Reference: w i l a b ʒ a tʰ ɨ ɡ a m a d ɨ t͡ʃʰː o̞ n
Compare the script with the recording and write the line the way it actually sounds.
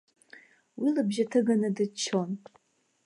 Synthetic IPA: w i l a b ʒ a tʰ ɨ ɡ a n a d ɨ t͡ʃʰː o̞ n